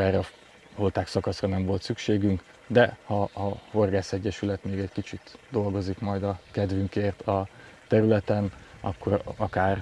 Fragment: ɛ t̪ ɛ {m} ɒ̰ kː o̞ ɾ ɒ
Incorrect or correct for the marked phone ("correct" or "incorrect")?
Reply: incorrect